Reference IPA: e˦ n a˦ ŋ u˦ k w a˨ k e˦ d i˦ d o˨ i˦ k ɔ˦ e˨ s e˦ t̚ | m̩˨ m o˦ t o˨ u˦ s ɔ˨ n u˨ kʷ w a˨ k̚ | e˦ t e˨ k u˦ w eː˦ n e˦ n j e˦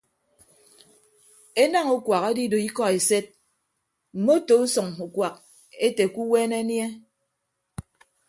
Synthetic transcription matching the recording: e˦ n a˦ ŋ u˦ k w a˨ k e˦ d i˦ d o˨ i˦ k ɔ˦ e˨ s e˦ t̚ | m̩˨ m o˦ t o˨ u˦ s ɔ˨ ŋ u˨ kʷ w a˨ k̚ | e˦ t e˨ k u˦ w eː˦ n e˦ n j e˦

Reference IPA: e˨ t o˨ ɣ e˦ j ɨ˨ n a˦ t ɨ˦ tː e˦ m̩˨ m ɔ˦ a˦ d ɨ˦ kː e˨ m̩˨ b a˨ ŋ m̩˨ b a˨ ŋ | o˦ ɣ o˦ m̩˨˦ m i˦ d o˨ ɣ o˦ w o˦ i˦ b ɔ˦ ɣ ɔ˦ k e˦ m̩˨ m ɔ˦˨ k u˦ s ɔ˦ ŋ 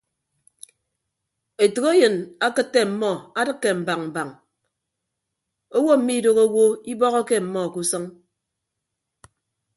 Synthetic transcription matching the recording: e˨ t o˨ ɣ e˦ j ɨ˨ n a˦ k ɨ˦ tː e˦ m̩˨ m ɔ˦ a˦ d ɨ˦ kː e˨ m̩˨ b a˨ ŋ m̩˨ b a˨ ŋ | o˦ w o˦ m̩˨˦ m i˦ d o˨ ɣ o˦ w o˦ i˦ b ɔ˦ ɣ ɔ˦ k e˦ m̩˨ m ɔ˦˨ k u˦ s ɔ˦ ŋ

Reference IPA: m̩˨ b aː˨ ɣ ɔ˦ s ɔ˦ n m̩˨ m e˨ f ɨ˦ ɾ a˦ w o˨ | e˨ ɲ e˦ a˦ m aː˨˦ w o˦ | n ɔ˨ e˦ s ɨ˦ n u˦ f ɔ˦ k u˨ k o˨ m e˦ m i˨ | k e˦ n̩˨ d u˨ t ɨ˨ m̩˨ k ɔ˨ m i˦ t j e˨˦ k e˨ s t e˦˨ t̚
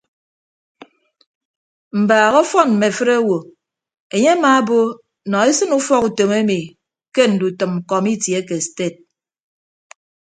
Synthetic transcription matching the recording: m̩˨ b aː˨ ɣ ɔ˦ f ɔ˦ n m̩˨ m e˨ f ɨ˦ ɾ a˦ w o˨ | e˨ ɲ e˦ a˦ m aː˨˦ b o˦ | n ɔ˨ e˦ s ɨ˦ n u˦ f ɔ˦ k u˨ t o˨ m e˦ m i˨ | k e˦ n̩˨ d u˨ t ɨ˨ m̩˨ k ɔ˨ m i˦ t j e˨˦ k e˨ s t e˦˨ t̚

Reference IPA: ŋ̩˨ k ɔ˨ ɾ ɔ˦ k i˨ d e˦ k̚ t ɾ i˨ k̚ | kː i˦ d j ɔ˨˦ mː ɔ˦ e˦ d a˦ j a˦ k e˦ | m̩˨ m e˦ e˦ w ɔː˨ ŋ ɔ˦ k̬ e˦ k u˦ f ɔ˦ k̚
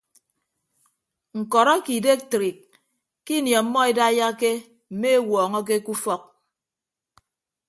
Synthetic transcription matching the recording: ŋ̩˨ k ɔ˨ ɾ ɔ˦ k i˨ d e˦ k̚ t ɾ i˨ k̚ | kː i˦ n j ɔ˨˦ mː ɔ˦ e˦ d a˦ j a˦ k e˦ | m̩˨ m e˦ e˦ w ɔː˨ ŋ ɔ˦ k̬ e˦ k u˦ f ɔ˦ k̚

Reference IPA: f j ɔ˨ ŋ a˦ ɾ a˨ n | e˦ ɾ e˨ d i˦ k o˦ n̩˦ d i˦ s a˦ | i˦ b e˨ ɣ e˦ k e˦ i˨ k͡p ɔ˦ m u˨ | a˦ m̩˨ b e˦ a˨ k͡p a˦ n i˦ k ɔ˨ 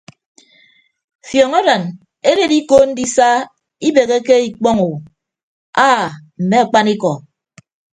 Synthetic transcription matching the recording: f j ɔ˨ ŋ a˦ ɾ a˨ n | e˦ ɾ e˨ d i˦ k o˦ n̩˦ d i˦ s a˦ | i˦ b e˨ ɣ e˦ k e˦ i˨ k͡p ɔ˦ ŋ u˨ | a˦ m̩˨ m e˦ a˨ k͡p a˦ n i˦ k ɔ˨

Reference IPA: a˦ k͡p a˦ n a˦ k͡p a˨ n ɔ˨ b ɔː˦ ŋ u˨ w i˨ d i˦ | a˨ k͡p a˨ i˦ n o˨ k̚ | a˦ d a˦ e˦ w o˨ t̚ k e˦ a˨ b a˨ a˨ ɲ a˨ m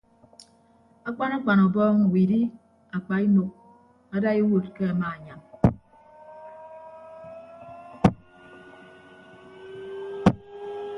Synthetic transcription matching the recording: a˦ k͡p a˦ n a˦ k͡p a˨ n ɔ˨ b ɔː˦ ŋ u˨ w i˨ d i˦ | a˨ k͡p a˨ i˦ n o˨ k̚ | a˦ d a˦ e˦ w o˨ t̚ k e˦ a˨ m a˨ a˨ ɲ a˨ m

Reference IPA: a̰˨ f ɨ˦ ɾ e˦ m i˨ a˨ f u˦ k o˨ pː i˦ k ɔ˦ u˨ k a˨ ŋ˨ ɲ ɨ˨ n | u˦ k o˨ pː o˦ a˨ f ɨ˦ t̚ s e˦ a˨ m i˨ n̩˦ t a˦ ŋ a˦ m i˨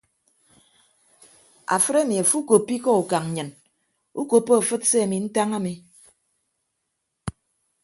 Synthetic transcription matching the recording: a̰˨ f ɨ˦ ɾ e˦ m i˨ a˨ f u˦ k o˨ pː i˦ k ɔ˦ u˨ k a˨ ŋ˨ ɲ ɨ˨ n | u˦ k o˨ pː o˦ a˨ f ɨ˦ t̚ s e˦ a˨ m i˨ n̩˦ t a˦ ŋ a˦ m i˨

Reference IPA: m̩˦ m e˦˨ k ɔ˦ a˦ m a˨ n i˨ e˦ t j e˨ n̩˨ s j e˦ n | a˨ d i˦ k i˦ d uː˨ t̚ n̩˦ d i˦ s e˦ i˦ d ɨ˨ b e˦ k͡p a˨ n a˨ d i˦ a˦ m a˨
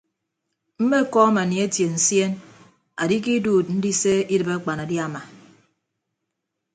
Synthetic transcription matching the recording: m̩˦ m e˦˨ k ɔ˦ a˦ m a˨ n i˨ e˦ t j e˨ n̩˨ s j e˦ n | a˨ d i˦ k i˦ d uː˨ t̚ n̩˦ d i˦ s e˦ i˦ d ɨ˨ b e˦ k͡p a˨ n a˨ d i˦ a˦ m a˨

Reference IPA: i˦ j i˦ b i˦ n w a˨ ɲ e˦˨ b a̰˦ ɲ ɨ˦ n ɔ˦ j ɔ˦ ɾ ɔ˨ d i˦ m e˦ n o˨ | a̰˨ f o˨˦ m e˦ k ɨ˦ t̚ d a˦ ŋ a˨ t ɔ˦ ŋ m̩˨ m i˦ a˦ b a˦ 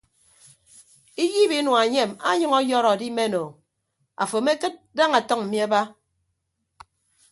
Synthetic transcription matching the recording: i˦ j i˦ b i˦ n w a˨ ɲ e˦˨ m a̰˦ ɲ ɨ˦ ŋ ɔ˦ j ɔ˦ ɾ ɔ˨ d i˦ m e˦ n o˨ | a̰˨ f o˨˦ m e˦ k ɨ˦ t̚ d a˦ ŋ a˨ t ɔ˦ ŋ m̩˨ m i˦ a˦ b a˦

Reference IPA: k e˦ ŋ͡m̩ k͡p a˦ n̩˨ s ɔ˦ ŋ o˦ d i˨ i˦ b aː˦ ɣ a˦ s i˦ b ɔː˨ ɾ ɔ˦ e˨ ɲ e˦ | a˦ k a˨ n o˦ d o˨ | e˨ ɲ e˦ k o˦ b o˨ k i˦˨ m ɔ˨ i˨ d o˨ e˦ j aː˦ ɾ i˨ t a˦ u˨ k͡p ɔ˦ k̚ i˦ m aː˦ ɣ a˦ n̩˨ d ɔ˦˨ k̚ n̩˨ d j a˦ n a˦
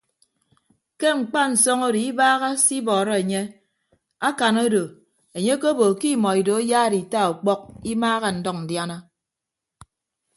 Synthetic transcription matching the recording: k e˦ ŋ͡m̩ k͡p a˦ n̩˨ s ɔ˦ ŋ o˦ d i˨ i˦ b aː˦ ɣ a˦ s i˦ b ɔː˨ ɾ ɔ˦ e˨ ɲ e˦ | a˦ k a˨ n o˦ d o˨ | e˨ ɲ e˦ k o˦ b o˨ k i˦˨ m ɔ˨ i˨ d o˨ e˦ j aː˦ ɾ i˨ t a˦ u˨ k͡p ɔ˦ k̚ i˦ m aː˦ ɣ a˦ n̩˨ d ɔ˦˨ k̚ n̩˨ d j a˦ n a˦

